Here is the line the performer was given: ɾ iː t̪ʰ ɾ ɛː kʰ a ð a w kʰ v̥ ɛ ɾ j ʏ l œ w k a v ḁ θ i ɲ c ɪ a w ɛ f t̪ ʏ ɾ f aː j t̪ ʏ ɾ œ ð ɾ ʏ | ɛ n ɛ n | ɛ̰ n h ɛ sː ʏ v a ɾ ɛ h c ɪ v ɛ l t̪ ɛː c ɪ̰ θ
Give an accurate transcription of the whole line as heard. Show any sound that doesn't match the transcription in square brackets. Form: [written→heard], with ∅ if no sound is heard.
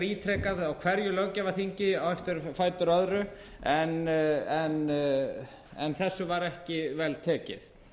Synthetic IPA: ɾ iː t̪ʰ ɾ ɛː [kʰ→k] a ð a w kʰ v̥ ɛ ɾ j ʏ l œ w [k→c] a v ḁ θ i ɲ c ɪ a w ɛ f t̪ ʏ ɾ f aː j t̪ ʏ ɾ œ ð ɾ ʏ | ɛ n ɛ n | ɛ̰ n [h→θ] ɛ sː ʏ v a ɾ ɛ h c ɪ v ɛ l [t̪→t̪ʰ] ɛː c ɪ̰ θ

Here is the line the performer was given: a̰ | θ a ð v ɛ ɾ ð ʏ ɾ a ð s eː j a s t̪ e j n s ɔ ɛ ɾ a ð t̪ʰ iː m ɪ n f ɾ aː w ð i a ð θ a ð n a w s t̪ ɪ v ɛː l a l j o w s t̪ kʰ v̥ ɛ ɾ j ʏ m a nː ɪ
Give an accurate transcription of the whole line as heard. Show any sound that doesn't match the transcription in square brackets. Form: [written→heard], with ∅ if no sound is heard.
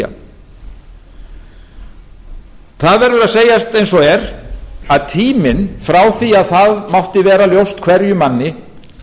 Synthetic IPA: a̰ | θ a ð v ɛ ɾ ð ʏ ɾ a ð s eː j a s t̪ e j n s ɔ ɛ ɾ a ð t̪ʰ iː m ɪ n f ɾ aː w [ð→θ] i a ð θ a ð [n→m] a w [s→h] t̪ ɪ v ɛː [l→ɾ] a l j o w s t̪ kʰ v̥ ɛ ɾ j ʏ m a nː ɪ

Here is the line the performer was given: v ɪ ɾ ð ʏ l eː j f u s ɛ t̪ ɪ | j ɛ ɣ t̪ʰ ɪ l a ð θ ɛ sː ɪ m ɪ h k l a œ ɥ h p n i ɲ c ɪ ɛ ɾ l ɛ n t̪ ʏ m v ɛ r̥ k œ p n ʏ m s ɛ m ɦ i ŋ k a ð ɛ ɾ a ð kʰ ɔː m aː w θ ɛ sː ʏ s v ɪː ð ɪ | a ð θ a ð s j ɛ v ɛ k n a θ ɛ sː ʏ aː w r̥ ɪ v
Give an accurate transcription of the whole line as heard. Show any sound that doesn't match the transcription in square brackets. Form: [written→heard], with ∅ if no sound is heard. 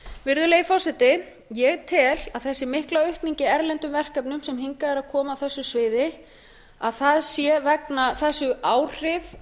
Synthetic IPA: v ɪ ɾ ð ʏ l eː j f [u→ɔ] s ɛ t̪ ɪ | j ɛ ɣ t̪ʰ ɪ l a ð θ ɛ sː ɪ m ɪ h k l a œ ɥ h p n i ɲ c ɪ ɛ ɾ l ɛ n t̪ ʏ m v ɛ r̥ k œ p n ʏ m s ɛ m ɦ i ŋ k a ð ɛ ɾ a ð kʰ ɔː m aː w θ ɛ sː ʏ s v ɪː ð ɪ | a ð θ a ð s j ɛ v ɛ k n a θ ɛ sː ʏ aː w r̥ ɪ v

